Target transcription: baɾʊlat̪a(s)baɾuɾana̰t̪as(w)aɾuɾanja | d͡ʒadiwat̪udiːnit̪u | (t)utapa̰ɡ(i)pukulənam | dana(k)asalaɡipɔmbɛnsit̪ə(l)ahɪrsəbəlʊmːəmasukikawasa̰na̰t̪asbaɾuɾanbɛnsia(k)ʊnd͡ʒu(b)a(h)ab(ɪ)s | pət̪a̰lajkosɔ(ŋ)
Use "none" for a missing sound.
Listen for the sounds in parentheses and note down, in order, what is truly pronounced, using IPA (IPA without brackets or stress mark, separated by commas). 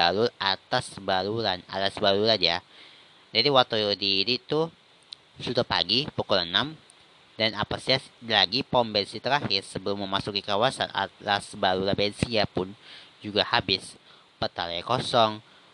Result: s, b, s, i, p, ɾ, p, ɡ, h, ɪ, ŋ